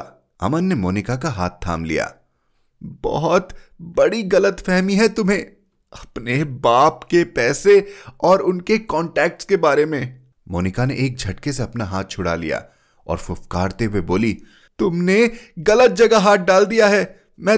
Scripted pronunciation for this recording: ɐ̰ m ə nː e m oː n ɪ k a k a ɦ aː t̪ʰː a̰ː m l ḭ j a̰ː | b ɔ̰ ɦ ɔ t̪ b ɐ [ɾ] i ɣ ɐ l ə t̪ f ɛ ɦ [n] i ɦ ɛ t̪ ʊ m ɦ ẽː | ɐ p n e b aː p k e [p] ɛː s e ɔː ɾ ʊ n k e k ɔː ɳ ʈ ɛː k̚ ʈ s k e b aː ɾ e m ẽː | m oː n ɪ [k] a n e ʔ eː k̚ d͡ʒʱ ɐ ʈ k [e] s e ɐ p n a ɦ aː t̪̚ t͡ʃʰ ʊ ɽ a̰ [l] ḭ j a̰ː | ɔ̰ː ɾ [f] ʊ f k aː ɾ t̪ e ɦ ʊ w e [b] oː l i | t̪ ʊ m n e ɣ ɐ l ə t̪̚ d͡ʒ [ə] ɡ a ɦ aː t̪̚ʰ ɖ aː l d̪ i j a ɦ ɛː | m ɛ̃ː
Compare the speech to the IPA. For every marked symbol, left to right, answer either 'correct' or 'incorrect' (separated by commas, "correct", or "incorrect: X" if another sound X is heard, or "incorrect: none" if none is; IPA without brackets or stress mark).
incorrect: ɽ, incorrect: m, correct, correct, correct, correct, correct, correct, incorrect: ɐ